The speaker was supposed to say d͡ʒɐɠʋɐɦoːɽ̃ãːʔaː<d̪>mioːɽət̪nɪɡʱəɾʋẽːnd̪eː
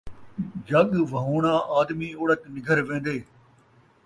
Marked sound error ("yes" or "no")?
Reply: no